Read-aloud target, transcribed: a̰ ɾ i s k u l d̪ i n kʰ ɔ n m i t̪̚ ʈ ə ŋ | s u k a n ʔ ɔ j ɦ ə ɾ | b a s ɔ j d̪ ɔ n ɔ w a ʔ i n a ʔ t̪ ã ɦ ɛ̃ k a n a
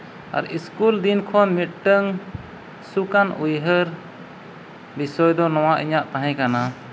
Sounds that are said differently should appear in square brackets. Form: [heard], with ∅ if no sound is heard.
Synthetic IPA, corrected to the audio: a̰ ɾ i s k u l d̪ i n kʰ ɔ n m i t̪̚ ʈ ə ŋ | s u k a n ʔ [u] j ɦ ə ɾ | b [i] s ɔ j d̪ ɔ n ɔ w a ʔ i [ɲ] a ʔ t̪ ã ɦ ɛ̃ k a n a